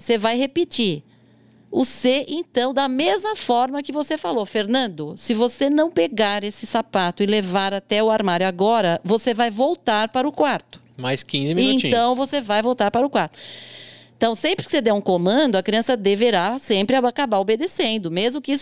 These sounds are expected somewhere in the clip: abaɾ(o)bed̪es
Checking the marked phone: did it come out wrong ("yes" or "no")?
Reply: no